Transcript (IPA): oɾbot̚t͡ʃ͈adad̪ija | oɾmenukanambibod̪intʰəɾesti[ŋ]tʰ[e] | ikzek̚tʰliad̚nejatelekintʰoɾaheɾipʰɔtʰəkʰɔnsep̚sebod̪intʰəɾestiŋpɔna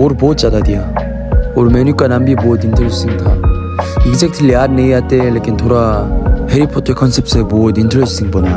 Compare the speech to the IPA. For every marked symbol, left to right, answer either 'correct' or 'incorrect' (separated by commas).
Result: correct, incorrect